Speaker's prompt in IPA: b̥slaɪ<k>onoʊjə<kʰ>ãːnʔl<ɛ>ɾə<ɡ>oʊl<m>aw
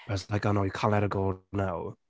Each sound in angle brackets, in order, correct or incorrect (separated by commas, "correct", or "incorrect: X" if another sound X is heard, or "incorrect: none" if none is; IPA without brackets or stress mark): correct, correct, correct, correct, incorrect: n